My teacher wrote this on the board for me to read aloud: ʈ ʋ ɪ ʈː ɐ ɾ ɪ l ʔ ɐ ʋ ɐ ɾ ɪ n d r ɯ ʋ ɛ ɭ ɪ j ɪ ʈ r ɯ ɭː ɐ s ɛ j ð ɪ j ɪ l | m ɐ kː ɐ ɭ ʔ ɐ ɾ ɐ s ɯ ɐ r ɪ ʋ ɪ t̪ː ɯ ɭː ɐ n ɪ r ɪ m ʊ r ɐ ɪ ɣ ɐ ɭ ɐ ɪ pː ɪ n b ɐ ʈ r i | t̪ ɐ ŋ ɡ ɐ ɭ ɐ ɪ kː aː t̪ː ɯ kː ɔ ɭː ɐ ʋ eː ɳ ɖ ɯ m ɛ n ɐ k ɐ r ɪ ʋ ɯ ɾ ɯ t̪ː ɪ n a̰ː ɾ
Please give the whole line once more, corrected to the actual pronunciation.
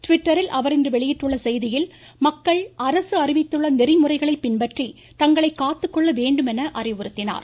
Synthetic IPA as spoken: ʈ ʋ ɪ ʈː ɐ ɾ ɪ l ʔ ɐ ʋ ɐ ɾ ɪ n d r ɯ ʋ ɛ ɭ ɪ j ɪ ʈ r ɯ ɭː ɐ s ɛ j ð ɪ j ɪ l | m ɐ kː ɐ ɭ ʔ ɐ ɾ ɐ s ɯ ɐ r ɪ ʋ ɪ t̪ː ɯ ɭː ɐ n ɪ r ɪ m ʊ r ɐ ɪ ɣ ɐ ɭ ɐ ɪ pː ɪ n b ɐ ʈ r i | t̪ ɐ ŋ ɡ ɐ ɭ ɐ ɪ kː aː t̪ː ɯ kː ɔ ɭː ɐ ʋ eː ɳ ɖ ɯ m ɛ n ɐ ʔ ɐ r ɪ ʋ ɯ ɾ ɯ t̪ː ɪ n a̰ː ɾ